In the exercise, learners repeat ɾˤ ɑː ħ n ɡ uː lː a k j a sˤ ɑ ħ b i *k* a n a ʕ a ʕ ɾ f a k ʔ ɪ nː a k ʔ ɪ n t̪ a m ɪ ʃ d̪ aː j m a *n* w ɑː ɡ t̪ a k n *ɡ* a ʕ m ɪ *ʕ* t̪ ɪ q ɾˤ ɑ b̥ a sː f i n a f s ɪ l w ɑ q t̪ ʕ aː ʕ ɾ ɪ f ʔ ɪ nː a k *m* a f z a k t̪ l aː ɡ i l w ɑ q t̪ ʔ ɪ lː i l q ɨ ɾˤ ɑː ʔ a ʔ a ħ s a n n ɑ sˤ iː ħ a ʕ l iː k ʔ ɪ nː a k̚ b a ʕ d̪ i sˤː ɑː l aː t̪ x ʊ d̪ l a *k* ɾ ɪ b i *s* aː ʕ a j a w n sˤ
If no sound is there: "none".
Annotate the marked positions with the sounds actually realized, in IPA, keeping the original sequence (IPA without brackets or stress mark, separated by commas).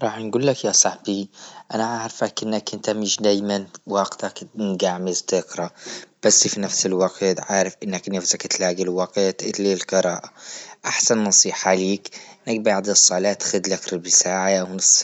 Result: ʔ, n, ɡ, z, n, k, s